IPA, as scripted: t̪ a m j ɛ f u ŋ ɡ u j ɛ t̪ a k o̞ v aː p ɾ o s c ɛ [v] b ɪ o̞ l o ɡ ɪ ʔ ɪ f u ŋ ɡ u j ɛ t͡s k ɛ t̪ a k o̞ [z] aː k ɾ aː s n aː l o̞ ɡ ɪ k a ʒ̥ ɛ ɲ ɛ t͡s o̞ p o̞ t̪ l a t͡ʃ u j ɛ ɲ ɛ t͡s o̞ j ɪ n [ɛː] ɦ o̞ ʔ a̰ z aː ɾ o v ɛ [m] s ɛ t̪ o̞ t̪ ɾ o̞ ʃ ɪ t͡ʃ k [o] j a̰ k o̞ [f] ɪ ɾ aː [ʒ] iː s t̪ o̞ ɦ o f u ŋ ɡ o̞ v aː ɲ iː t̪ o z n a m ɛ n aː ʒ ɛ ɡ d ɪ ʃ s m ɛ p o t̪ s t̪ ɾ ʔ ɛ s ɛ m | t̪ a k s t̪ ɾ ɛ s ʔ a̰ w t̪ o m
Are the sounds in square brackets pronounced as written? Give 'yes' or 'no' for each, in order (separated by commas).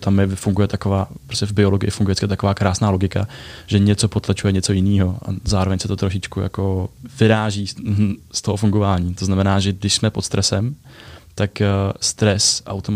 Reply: yes, no, no, no, no, no, yes